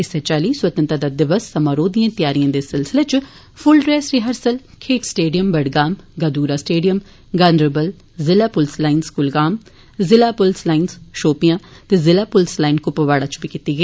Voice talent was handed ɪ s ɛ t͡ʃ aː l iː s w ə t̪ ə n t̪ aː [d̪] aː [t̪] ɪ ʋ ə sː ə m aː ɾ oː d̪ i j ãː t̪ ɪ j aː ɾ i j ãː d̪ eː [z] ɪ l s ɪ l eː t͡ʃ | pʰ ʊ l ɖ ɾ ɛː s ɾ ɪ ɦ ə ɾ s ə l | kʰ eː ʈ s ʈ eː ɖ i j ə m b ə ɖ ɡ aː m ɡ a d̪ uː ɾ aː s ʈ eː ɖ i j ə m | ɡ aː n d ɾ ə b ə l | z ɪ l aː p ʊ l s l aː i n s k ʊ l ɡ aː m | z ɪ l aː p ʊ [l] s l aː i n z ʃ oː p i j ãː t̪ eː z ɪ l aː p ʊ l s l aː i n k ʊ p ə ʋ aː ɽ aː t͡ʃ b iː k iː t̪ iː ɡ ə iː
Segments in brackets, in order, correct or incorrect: correct, incorrect: d̪, incorrect: s, correct

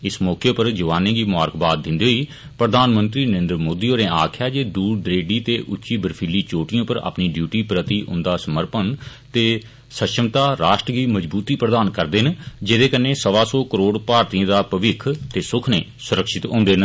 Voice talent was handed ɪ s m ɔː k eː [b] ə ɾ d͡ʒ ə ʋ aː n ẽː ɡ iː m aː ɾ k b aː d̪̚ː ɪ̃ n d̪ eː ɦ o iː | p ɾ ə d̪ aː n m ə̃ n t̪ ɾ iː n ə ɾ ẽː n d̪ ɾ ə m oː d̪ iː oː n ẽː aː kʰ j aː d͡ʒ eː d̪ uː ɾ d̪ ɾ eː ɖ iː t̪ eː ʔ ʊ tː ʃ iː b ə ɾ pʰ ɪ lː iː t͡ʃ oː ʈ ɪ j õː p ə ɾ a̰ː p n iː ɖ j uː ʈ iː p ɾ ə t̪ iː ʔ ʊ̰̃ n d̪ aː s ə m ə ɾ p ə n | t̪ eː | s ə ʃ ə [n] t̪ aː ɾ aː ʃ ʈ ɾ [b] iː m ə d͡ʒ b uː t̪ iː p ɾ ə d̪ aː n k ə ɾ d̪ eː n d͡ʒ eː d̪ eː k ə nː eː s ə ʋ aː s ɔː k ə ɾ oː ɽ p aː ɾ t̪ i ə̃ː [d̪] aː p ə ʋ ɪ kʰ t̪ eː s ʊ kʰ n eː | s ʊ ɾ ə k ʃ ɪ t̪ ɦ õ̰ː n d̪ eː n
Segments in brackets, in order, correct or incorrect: incorrect: p, incorrect: m, incorrect: ɡ, correct

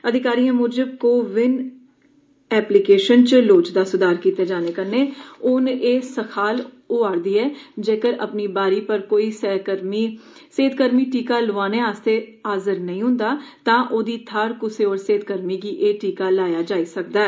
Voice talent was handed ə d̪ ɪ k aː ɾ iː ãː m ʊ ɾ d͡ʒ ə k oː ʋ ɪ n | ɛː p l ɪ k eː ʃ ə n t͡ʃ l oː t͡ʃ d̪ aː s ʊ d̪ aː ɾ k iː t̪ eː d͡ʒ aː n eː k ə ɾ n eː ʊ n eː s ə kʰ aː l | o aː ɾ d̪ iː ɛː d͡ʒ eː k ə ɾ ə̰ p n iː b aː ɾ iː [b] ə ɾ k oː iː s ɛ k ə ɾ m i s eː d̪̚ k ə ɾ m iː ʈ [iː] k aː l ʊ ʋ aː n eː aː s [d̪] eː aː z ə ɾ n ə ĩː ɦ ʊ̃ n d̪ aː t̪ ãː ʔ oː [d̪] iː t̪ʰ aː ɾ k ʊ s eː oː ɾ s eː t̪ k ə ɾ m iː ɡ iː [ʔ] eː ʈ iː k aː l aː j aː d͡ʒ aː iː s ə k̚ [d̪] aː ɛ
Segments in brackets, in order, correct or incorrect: incorrect: p, correct, incorrect: t̪, correct, correct, correct

